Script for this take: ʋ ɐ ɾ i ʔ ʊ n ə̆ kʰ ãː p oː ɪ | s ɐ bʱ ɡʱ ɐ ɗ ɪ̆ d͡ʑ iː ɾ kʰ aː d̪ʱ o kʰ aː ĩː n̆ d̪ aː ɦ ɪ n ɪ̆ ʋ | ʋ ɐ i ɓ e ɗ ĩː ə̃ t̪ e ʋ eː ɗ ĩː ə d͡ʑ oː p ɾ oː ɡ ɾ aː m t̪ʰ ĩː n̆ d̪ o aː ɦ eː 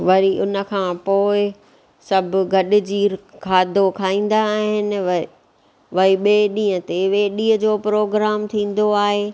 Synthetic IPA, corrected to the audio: ʋ ɐ ɾ i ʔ ʊ n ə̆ kʰ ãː p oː ɪ | s ɐ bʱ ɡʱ ɐ ɗ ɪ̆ d͡ʑ iː ɾ kʰ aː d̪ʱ o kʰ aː ĩː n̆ d̪ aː ɦ ɪ n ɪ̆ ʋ | ʋ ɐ i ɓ e ɗ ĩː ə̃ t̪ e ʋ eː ɗ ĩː ə d͡ʑ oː p ɾ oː ɡ ɾ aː m t̪ʰ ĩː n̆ d̪ o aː ɦ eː